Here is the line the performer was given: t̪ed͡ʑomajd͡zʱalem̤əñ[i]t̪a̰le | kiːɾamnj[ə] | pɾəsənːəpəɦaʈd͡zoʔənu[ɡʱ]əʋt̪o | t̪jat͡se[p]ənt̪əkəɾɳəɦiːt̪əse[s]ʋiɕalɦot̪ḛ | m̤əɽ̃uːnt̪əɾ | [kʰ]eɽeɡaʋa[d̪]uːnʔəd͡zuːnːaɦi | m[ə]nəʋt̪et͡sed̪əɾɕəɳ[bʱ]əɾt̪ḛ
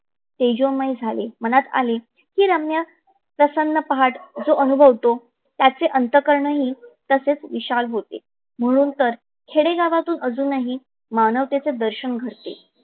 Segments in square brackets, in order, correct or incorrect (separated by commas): incorrect, incorrect, incorrect, incorrect, incorrect, correct, incorrect, incorrect, incorrect